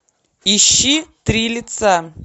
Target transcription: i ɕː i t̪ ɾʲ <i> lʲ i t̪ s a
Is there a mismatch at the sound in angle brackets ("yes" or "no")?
no